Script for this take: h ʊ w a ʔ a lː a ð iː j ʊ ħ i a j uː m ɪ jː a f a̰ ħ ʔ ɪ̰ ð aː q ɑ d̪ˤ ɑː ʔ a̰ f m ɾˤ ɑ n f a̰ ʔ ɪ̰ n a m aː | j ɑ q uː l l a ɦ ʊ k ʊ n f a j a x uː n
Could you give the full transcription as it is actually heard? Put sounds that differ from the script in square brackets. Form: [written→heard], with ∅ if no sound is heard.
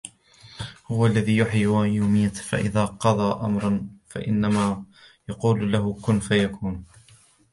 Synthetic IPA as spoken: h ʊ w a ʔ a lː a ð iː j ʊ ħ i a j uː m ɪ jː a f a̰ [ħ→∅] ʔ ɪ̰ ð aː q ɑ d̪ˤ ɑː ʔ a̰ [f→∅] m ɾˤ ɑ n f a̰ ʔ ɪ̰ [n→nː] a m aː | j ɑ q uː l l a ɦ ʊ k ʊ n f a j a [x→k] uː n